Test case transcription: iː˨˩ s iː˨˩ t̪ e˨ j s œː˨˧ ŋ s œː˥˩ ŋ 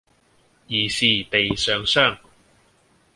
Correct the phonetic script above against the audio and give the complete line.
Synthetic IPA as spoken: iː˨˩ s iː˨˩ t̪ e˨ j s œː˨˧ ŋ s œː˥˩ ŋ